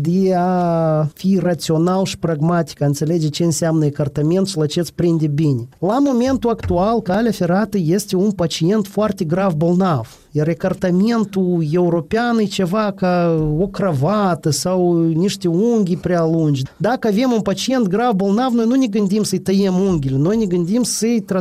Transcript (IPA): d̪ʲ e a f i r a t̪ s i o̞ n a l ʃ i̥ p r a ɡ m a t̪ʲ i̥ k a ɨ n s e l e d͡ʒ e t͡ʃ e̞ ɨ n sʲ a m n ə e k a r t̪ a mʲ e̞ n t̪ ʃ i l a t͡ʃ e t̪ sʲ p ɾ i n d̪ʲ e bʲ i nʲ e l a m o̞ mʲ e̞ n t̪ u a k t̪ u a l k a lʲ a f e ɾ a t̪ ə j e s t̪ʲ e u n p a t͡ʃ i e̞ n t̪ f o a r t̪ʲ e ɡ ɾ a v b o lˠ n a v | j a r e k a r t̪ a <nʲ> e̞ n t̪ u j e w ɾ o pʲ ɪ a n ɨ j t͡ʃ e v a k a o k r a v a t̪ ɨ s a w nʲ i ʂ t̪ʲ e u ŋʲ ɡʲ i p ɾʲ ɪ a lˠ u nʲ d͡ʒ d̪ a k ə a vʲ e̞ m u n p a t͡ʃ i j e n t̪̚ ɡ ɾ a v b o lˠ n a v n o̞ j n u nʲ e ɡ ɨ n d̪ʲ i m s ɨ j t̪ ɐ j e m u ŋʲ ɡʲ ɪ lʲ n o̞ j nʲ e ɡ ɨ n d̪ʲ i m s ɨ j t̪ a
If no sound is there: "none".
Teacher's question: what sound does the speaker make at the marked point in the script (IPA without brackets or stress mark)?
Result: mʲ